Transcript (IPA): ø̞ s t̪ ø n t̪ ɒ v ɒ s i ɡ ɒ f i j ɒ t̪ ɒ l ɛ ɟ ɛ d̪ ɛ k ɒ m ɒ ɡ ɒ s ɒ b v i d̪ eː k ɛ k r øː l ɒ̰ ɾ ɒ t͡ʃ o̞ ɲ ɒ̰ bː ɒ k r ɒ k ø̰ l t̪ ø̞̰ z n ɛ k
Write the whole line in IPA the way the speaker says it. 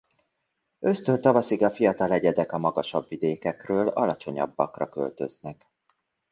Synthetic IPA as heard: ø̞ s t̪ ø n t̪ ɒ v ɒ s i ɡ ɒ f i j ɒ t̪ ɒ l ɛ ɟ ɛ d̪ ɛ k ɒ m ɒ ɡ ɒ ʃ ɒ b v i d̪ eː k ɛ k r øː l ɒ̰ l ɒ t͡ʃ o̞ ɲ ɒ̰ bː ɒ k r ɒ k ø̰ l t̪ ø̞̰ z n ɛ k